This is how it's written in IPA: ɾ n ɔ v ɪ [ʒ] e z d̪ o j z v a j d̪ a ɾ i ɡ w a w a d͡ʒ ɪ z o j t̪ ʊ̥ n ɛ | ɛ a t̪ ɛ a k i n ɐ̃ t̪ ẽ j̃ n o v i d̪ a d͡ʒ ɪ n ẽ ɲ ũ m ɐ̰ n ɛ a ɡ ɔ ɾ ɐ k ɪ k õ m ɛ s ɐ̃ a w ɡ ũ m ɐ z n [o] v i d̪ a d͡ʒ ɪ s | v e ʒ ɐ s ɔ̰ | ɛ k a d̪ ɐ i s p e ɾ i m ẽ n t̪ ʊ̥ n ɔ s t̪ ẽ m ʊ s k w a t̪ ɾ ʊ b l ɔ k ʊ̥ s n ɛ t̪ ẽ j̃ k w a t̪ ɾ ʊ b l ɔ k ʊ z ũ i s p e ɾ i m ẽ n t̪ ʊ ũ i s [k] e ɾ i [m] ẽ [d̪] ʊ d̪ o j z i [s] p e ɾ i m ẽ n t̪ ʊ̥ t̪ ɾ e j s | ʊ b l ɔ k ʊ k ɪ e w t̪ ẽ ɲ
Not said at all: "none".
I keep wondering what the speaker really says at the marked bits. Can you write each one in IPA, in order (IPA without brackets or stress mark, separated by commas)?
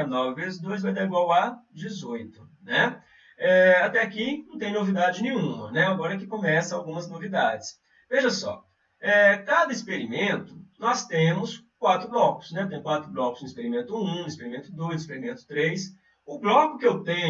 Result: v, o, p, m, t̪, s